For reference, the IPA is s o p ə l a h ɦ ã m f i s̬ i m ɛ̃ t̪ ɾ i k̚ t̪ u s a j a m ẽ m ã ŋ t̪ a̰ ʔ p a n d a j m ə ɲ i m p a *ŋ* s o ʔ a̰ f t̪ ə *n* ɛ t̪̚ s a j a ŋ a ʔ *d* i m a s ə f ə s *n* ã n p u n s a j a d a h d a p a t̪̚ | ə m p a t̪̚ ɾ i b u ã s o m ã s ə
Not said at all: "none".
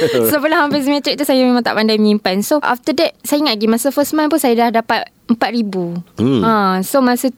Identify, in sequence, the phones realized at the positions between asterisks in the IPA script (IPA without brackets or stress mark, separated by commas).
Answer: n, d, ɡ, m